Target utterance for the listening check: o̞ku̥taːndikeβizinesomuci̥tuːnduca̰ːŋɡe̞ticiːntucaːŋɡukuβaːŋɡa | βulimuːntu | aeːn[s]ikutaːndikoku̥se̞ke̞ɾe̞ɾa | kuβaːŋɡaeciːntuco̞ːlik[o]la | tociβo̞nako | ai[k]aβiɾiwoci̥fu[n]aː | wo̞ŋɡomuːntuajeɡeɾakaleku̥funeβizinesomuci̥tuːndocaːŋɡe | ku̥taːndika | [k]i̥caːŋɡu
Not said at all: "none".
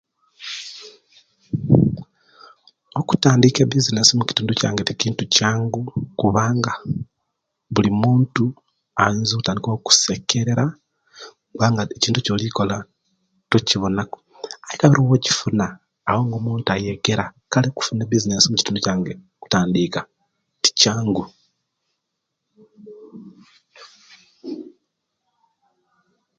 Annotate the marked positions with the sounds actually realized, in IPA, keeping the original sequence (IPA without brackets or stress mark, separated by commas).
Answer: z, o, k, n, t